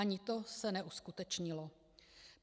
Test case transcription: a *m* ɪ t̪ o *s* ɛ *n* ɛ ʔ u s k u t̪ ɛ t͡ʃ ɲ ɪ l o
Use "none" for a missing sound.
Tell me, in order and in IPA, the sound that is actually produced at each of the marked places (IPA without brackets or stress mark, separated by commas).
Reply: ɲ, s, n